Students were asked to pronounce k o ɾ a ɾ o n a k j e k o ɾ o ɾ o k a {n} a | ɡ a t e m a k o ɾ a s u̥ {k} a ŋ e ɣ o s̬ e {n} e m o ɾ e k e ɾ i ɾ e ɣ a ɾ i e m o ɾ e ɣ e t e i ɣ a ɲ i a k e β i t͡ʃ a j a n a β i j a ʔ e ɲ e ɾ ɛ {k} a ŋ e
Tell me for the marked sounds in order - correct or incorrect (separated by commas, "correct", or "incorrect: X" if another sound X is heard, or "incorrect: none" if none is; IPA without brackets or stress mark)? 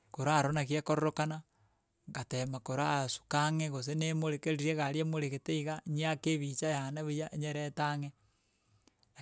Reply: correct, correct, correct, incorrect: t